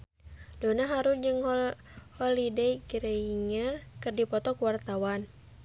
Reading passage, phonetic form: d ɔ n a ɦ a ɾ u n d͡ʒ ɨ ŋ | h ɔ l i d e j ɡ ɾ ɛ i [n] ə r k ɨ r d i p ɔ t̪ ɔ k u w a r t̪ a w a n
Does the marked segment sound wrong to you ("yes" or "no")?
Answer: yes